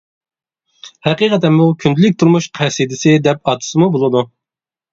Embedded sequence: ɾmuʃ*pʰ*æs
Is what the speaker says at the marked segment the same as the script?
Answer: no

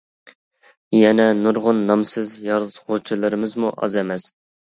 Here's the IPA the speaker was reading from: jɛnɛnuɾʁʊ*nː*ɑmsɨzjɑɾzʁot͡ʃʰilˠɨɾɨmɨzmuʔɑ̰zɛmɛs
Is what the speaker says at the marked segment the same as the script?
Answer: yes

